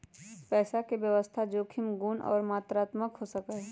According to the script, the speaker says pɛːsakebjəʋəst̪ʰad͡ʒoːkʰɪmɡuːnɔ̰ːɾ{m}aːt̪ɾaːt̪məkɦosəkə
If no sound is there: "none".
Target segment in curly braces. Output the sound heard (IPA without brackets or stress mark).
m